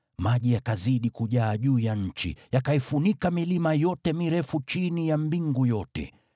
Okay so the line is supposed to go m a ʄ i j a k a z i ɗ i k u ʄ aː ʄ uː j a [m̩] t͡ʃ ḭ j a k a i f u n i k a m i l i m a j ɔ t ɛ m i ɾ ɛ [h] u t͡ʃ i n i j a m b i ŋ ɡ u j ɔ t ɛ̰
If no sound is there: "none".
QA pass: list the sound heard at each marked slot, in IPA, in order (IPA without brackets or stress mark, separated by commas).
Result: ɲ̩, f